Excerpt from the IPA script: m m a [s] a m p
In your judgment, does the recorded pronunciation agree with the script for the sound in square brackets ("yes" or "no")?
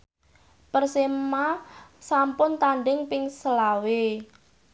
yes